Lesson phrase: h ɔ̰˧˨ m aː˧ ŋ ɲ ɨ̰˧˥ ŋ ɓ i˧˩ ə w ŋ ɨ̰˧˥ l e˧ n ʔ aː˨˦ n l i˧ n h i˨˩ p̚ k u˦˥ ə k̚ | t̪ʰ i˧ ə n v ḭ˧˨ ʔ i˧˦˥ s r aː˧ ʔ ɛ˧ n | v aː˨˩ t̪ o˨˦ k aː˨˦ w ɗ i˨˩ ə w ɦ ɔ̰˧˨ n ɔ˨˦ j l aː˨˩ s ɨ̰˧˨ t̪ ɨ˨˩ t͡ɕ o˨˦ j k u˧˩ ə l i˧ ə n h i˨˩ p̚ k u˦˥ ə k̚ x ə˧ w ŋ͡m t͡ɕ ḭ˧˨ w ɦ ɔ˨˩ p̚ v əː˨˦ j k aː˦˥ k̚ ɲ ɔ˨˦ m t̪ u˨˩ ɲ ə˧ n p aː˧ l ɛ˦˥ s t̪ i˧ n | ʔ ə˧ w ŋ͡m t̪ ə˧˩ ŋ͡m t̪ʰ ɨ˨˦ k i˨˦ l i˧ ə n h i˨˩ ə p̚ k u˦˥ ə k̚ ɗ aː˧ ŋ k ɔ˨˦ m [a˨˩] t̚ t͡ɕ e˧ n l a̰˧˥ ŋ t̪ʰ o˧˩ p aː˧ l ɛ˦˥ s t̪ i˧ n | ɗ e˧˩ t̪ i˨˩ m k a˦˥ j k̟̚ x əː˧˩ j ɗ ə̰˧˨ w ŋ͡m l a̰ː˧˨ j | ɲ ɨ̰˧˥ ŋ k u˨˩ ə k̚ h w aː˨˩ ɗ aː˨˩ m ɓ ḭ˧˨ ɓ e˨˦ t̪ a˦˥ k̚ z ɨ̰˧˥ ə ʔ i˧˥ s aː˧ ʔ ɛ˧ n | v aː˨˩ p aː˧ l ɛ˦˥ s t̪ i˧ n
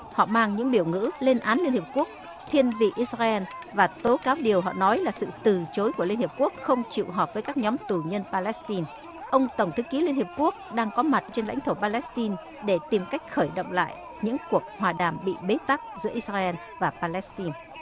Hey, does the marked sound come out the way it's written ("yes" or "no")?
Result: yes